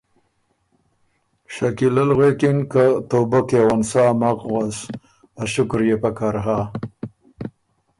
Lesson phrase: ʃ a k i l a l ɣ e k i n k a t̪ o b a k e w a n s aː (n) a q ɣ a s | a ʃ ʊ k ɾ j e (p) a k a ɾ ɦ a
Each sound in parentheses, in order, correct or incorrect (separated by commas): incorrect, correct